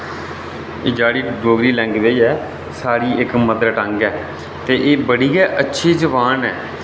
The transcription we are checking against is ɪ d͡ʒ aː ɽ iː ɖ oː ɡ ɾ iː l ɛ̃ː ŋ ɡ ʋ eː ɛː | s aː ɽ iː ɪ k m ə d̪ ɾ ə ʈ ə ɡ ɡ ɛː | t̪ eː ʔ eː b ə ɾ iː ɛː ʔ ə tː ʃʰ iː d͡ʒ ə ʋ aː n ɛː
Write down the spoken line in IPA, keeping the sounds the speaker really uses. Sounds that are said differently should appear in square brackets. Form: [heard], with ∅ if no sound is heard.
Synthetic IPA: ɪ d͡ʒ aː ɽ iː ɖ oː ɡ ɾ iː l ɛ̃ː ŋ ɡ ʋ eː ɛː | s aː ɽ iː ɪ k m ə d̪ ɾ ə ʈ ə [ŋ] ɡ ɛː | t̪ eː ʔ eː b ə [ɽ] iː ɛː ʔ ə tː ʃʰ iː d͡ʒ ə ʋ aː n ɛː